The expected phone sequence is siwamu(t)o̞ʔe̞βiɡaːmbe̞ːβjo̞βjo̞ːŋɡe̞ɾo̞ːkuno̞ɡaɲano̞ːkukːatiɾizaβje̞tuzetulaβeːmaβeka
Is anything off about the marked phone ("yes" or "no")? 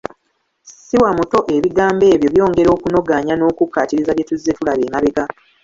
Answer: no